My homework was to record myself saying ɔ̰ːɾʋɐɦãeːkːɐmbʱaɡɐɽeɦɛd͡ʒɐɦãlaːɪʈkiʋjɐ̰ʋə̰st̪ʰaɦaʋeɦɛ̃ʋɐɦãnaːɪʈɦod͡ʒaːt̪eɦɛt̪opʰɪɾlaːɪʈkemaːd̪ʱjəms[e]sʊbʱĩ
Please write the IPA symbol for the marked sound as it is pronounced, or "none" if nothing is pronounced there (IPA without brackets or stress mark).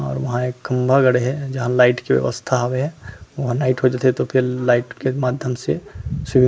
e